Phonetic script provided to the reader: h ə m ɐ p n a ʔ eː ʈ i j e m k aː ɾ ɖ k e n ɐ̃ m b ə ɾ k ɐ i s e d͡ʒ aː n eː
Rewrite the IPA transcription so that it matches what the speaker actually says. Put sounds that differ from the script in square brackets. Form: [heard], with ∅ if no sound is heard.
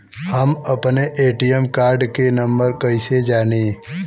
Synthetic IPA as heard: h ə m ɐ p n [e] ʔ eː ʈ i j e m k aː ɾ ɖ k e n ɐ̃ m b ə ɾ k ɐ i s e d͡ʒ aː n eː